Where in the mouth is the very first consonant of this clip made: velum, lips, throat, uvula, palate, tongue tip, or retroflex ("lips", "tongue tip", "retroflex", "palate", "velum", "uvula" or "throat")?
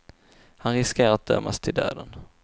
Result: throat